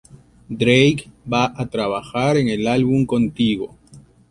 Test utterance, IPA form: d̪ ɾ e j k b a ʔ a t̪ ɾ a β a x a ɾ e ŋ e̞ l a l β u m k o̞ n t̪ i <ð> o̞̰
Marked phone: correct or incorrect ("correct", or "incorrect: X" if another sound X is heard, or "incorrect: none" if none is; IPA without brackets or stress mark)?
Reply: incorrect: ɣ